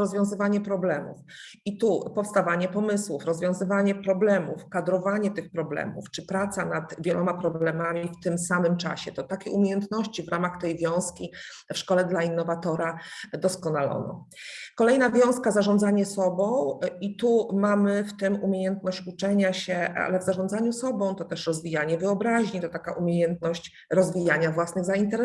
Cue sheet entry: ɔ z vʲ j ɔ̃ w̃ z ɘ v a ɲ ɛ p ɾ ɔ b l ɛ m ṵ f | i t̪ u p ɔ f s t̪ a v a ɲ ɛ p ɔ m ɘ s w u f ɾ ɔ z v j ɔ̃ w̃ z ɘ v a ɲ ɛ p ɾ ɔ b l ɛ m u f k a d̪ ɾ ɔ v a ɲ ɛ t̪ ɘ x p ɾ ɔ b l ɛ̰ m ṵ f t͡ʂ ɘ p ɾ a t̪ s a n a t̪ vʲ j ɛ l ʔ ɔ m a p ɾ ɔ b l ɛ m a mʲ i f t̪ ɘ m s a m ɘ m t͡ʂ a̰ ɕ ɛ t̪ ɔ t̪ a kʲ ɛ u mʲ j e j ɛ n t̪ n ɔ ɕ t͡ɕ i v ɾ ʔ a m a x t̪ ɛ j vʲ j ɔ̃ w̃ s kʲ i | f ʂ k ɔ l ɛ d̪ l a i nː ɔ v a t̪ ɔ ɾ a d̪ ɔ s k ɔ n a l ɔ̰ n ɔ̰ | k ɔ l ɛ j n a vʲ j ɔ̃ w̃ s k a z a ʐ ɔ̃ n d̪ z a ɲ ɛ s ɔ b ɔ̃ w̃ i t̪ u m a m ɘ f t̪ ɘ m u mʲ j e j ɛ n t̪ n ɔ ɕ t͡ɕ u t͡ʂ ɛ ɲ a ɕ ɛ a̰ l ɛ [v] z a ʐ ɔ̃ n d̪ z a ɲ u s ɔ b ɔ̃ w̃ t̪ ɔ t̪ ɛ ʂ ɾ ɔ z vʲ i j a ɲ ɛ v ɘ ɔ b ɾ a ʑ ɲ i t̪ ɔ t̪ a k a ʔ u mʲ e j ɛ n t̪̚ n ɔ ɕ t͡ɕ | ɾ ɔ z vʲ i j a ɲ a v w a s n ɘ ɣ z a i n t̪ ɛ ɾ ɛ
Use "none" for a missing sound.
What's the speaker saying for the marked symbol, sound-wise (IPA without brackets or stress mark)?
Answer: v